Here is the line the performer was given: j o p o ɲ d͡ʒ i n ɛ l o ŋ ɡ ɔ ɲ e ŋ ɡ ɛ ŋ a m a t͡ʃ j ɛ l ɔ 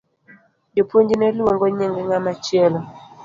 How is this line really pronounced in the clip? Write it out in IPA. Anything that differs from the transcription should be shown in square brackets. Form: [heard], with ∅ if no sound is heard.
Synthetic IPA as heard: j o p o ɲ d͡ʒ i n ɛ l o ŋ ɡ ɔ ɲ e ŋ ɡ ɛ ŋ a m a t͡ʃ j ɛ l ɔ